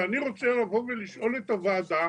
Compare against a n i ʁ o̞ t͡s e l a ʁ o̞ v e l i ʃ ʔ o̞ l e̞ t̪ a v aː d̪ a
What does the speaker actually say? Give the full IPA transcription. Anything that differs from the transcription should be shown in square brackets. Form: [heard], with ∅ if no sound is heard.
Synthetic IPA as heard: a n i ʁ o̞ t͡s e l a [v] o̞ v e l i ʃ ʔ o̞ l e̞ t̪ a v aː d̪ a